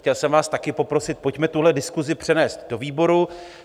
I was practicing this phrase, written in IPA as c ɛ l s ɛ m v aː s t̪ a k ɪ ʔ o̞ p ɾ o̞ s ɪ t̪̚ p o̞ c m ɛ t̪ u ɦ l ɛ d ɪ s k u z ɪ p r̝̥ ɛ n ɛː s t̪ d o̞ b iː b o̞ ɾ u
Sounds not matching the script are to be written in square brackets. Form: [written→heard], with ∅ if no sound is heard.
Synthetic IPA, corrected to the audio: c ɛ l s ɛ m v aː s t̪ a k ɪ [ʔ→p] o̞ p ɾ o̞ s ɪ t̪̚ p o̞ c m ɛ t̪ u ɦ l ɛ d ɪ s k u z ɪ p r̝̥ ɛ n ɛː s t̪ d o̞ [b→v] iː b o̞ ɾ u